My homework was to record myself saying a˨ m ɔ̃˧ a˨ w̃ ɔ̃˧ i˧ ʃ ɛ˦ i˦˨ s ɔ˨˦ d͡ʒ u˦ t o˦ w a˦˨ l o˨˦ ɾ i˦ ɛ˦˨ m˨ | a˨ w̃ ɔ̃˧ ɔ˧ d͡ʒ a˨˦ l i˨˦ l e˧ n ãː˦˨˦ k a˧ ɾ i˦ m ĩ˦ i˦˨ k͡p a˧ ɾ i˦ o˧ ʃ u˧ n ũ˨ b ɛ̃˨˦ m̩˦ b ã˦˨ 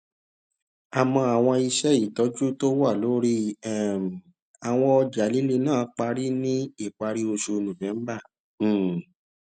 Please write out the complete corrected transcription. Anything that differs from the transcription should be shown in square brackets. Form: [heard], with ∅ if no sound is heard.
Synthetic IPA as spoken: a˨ m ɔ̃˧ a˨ w̃ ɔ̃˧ i˧ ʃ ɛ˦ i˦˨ [t] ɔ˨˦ d͡ʒ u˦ t o˦ w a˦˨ l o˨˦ ɾ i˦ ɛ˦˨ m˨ | a˨ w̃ ɔ̃˧ ɔ˧ d͡ʒ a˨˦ l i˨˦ l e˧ n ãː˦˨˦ [k͡p] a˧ ɾ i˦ [n] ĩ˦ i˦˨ k͡p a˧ ɾ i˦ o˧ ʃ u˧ n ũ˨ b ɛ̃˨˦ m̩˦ b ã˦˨